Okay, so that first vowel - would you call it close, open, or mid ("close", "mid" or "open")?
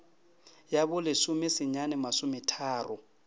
open